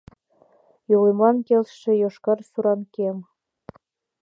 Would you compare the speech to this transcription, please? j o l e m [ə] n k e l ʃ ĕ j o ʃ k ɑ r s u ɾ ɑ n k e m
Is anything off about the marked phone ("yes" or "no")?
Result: yes